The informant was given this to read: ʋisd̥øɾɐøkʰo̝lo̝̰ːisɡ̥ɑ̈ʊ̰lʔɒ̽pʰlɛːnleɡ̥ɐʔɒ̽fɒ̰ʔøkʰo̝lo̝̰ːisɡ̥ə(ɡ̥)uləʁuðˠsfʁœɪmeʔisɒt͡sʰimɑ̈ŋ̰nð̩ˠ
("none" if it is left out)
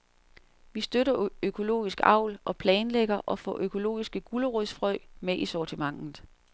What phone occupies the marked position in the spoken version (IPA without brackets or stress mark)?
ɡ̥